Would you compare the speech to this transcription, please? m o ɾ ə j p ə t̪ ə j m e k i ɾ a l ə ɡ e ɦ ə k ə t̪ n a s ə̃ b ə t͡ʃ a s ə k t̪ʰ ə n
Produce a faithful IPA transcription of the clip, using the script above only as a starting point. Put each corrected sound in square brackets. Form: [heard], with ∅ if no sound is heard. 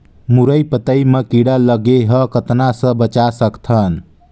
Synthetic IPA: m [u] ɾ ə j p ə t̪ ə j m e k i [ɽ] a l ə ɡ e ɦ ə k ə t̪ n a s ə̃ b ə t͡ʃ a s ə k t̪ʰ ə n

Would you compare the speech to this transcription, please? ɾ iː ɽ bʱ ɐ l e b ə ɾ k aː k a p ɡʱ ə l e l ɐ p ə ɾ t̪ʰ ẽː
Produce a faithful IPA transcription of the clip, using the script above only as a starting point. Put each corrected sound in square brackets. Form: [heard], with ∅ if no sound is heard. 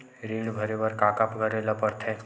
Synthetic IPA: ɾ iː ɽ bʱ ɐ [ɾ] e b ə ɾ k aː k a p ɡʱ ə [ɾ] e l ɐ p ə ɾ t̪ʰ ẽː

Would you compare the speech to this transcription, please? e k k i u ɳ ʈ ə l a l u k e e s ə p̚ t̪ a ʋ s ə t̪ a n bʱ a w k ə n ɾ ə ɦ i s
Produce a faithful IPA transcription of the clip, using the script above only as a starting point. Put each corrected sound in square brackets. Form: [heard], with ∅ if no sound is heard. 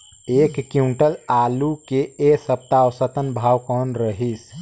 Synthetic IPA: e k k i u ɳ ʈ ə l a l u k e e s ə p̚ t̪ a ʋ s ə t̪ [ə] n bʱ a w k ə n ɾ ə ɦ i s

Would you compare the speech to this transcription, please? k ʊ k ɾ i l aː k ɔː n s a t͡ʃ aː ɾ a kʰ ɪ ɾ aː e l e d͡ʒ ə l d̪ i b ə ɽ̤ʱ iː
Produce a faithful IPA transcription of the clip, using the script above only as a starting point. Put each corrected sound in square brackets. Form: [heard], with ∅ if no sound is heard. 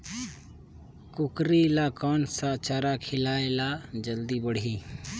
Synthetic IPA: k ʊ k ɾ i l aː k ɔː n s a t͡ʃ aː ɾ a kʰ ɪ [l] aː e l [a] d͡ʒ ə l d̪ i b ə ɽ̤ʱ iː

